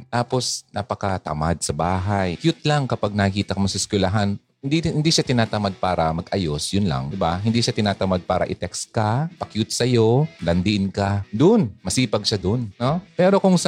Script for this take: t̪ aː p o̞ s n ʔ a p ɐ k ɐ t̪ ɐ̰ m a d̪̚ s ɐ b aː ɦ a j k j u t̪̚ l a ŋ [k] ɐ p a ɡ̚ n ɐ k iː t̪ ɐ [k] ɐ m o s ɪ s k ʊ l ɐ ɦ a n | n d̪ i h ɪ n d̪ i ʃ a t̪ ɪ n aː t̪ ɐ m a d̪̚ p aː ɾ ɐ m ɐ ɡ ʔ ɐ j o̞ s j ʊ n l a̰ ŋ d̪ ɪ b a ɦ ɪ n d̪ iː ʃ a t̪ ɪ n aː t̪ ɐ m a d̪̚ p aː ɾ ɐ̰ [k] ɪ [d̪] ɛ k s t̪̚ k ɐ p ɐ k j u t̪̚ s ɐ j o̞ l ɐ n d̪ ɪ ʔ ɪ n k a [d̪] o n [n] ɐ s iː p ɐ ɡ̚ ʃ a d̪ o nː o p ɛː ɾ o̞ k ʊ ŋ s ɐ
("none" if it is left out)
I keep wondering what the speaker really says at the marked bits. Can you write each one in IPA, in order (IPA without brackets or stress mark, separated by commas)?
k, k, ʔ, t̪, d̪, m